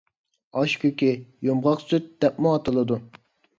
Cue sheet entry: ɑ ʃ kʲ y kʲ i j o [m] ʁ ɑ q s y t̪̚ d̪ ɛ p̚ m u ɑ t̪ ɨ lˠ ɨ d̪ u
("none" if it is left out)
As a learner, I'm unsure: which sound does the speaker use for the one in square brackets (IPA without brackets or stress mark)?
m